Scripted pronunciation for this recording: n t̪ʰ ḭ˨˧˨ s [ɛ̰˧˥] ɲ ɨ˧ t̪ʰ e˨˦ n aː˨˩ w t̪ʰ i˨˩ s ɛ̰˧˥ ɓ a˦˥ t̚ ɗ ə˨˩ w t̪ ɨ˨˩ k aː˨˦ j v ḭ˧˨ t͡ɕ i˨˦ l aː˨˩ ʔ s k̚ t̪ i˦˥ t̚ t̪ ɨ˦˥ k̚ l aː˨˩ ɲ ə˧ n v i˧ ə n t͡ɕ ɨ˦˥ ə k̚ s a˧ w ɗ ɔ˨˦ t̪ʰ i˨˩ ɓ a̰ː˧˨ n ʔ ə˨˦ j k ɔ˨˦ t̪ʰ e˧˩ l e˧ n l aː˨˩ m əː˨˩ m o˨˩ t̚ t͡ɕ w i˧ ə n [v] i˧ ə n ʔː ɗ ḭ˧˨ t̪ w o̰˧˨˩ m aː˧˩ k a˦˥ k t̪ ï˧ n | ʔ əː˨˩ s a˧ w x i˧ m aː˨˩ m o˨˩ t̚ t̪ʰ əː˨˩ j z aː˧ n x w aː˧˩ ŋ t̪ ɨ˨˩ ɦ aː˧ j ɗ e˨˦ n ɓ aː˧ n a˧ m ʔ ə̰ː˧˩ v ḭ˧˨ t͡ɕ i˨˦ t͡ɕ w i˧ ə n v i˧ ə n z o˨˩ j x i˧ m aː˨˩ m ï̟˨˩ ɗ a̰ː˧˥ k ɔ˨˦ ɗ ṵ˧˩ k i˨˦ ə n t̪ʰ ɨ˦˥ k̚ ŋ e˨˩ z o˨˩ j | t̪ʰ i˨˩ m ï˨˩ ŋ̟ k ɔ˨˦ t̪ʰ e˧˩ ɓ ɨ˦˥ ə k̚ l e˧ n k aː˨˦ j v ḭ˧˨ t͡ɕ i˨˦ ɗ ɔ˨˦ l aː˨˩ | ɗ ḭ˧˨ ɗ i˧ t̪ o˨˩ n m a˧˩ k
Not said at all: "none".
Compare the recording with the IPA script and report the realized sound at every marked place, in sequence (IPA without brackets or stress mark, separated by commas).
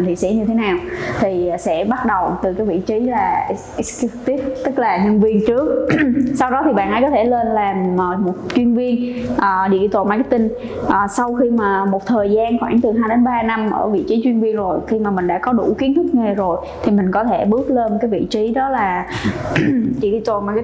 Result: ḭ˧˥, v